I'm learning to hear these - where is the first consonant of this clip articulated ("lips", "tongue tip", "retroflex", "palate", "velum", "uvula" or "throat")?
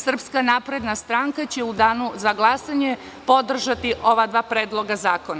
tongue tip